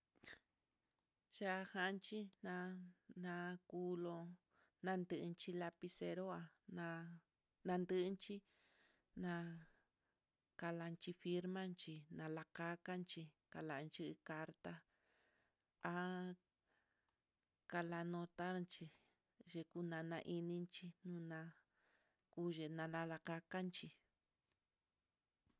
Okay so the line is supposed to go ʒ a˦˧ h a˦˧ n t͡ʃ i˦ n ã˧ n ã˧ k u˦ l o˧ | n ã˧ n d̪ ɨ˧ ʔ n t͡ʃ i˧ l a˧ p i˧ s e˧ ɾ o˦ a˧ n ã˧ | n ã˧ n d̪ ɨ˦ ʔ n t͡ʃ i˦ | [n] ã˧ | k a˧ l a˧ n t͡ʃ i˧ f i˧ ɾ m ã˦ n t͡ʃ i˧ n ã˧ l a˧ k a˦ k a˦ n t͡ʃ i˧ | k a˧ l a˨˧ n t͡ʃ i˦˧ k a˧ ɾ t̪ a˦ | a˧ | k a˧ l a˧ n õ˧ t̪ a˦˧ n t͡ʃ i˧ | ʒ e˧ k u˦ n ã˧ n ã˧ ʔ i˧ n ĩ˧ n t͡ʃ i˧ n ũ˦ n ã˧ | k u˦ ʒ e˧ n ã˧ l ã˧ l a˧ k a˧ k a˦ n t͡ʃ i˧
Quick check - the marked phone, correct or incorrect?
correct